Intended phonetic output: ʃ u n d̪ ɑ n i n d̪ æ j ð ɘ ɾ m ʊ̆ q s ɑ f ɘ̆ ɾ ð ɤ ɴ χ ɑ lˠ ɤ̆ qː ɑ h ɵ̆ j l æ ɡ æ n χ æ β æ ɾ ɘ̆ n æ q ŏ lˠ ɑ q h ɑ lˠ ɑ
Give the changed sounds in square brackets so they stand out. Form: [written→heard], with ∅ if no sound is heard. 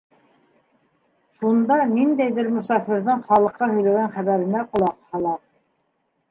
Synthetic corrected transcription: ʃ u n d̪ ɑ n i n d̪ æ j ð ɘ ɾ m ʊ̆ [q→∅] s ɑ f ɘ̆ ɾ ð ɤ ɴ χ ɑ lˠ ɤ̆ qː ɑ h ɵ̆ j l æ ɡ æ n χ æ β æ ɾ ɘ̆ n æ q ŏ lˠ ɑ q h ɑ lˠ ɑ